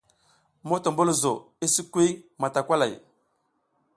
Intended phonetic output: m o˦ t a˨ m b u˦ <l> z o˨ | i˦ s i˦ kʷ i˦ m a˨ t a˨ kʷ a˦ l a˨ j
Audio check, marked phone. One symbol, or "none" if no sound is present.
l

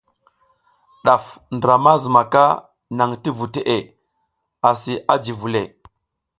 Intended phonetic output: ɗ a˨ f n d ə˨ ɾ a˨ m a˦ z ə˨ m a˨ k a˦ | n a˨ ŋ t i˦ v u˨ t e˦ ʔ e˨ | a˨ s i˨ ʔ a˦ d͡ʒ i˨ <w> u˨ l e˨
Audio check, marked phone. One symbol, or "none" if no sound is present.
v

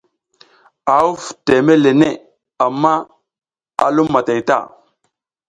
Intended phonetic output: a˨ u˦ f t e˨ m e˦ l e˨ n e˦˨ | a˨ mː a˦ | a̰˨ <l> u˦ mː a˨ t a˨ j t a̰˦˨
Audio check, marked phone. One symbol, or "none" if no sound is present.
l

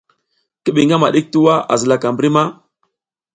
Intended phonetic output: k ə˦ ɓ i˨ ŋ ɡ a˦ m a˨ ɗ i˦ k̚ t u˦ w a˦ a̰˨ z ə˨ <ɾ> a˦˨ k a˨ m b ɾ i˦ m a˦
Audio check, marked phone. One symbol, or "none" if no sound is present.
l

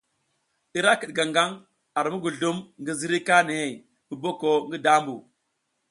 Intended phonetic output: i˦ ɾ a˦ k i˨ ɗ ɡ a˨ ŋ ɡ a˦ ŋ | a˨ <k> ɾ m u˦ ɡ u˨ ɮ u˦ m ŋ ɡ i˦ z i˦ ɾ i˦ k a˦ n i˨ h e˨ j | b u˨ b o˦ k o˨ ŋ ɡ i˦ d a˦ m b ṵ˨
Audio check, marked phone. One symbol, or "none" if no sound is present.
none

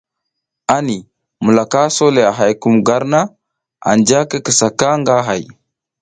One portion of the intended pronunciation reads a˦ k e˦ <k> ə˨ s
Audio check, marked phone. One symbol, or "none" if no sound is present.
k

